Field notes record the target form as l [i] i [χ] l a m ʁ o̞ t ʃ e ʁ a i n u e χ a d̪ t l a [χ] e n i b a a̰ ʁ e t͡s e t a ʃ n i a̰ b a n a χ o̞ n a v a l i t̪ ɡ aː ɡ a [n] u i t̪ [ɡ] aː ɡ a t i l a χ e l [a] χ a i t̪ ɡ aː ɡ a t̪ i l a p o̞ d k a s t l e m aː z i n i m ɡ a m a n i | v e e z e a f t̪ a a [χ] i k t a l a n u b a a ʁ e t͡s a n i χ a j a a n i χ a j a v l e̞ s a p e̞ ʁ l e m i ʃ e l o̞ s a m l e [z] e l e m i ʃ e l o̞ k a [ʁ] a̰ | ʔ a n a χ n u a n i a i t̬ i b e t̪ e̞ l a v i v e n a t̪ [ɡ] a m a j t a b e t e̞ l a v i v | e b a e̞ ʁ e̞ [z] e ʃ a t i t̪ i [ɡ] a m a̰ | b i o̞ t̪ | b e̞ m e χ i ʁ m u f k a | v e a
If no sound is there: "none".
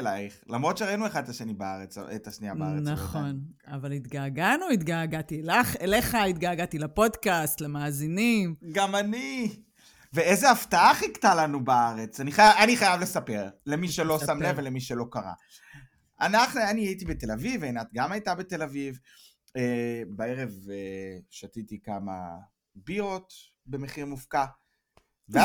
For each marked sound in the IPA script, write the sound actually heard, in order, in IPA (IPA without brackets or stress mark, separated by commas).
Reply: a, χ, ʃ, n, ɡ, e, χ, v, ʁ, ɡ, v, k